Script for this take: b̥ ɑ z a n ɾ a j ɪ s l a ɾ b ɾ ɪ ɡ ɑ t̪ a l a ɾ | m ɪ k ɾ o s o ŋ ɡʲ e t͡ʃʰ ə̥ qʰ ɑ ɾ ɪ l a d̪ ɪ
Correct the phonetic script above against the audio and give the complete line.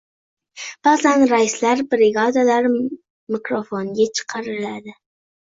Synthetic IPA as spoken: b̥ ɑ z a n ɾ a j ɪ s l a ɾ b ɾ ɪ ɡ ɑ d̪ a l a ɾ | m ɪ k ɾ o f o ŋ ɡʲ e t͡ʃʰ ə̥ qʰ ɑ ɾ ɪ l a d̪ ɪ